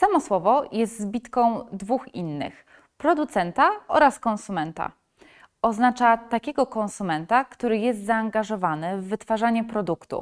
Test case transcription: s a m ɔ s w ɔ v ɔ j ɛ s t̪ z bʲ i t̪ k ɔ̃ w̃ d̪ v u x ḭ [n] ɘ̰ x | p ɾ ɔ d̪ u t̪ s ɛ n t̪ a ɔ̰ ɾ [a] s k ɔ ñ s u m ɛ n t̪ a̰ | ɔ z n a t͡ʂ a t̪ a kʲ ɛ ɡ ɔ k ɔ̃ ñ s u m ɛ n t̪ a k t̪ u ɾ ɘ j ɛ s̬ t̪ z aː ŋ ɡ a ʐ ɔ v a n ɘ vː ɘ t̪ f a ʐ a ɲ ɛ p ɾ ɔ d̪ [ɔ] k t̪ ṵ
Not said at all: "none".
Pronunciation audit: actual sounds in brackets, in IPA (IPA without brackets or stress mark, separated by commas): nː, a, u